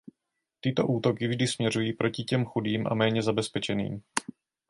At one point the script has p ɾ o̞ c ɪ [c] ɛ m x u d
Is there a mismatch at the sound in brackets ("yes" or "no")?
no